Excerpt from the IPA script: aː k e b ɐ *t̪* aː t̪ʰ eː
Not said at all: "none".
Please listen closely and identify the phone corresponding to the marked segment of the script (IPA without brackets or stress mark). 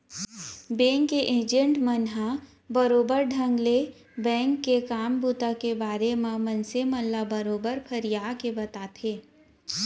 t̪